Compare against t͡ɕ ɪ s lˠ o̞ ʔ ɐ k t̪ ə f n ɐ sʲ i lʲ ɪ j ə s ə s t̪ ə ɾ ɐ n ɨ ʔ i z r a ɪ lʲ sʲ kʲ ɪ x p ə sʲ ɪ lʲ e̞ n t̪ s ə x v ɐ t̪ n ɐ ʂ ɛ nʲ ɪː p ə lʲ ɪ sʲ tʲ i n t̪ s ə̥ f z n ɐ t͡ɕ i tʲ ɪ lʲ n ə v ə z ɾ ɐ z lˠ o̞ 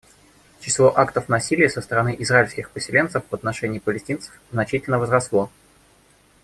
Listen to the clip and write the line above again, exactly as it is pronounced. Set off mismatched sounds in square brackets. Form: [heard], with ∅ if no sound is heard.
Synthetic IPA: t͡ɕ ɪ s lˠ o̞ ʔ [a] k t̪ ə f n ɐ sʲ i lʲ ɪ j ə s ə s t̪ ə ɾ ɐ n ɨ ʔ [ɪ] z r a ɪ lʲ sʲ kʲ ɪ x p ə sʲ ɪ lʲ e̞ n t̪ s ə [f] v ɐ t̪ n ɐ ʂ ɛ nʲ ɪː p ə lʲ ɪ sʲ tʲ i n t̪ s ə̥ f z n ɐ t͡ɕ i tʲ ɪ lʲ n ə v ə z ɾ ɐ [s] lˠ o̞